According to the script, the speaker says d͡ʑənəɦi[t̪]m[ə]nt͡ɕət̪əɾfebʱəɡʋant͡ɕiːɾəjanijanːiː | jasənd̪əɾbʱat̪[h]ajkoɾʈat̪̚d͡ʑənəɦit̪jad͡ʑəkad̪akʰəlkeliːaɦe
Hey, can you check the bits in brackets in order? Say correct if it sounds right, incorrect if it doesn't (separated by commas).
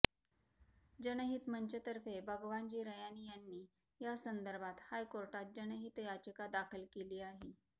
correct, correct, correct